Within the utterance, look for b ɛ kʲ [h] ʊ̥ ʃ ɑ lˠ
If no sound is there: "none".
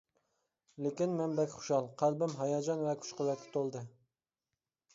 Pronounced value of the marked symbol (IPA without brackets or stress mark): χ